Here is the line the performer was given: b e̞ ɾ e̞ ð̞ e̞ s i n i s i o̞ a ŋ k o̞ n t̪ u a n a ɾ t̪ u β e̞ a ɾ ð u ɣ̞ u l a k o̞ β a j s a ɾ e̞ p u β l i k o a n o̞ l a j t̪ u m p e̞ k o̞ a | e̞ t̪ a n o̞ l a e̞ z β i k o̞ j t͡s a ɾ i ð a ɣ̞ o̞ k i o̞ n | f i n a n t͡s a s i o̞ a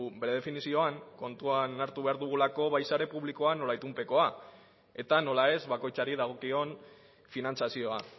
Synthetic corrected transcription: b e̞ ɾ e̞ ð̞ e̞ f i n i s i o̞ a ŋ k o̞ n t̪ u a n a ɾ t̪ u β e̞ a ɾ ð u ɣ̞ u l a k o̞ β a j s a ɾ e̞ p u β l i k o a n o̞ l a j t̪ u m p e̞ k o̞ a | e̞ t̪ a n o̞ l a e̞ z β a k o̞ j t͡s a ɾ i ð a ɣ̞ o̞ k i o̞ n | f i n a n t͡s a s i o̞ a